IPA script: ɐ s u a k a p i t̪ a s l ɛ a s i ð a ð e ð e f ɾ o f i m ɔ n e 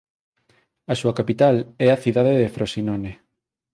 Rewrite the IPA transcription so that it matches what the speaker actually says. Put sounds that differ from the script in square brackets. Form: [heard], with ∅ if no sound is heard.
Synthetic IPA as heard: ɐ s u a k a p i t̪ a [∅] l ɛ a [θ] i ð a ð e ð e f ɾ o [s] i [n] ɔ n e